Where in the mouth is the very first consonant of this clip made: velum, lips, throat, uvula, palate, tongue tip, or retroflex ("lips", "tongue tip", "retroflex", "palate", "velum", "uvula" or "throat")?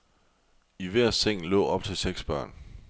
lips